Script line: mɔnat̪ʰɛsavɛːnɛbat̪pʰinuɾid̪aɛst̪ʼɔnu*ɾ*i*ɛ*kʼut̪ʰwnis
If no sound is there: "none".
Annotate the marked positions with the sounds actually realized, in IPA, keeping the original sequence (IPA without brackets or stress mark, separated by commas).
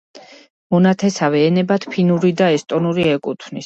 ɾ, ɛ